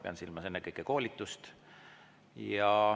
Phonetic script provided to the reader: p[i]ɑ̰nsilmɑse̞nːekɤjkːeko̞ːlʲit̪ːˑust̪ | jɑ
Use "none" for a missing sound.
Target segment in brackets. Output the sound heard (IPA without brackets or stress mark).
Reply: e